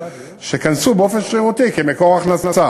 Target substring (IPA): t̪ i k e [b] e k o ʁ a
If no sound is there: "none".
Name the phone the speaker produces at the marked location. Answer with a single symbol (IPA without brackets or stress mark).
m